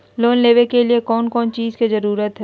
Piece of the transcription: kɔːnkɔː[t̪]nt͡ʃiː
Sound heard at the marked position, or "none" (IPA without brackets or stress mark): none